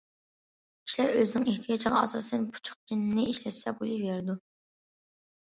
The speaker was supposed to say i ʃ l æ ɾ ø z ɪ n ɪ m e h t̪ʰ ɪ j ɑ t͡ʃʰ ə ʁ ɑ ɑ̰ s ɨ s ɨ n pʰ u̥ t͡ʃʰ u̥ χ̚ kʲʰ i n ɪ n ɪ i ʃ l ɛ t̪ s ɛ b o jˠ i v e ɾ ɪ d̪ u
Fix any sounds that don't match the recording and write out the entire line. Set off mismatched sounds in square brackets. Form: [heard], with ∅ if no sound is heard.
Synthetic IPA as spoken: i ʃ l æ ɾ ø z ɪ n ɪ [ŋ] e h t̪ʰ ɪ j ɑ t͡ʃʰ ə ʁ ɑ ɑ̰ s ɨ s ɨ n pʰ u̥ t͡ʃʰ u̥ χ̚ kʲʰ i n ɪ n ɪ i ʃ l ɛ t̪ s ɛ b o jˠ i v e ɾ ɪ d̪ u